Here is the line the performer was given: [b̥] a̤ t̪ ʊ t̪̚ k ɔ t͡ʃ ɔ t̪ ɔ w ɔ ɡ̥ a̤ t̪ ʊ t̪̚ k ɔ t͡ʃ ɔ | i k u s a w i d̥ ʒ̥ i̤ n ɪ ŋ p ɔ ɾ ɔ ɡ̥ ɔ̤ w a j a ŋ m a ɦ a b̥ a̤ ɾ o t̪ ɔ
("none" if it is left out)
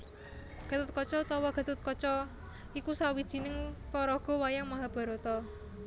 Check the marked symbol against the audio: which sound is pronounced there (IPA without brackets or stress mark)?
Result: ɡ̥